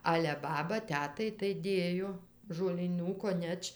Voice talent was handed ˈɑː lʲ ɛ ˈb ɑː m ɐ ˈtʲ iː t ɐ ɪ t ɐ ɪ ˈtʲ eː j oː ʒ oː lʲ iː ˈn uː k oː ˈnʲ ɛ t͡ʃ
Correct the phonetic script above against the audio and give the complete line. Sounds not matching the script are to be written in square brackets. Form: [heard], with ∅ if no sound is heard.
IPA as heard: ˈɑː lʲ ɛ ˈb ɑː [b] ɐ ˈtʲ [æː] t ɐ ɪ t ɐ ɪ [ˈdʲ] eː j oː ʒ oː lʲ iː ˈn uː k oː ˈnʲ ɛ t͡ʃ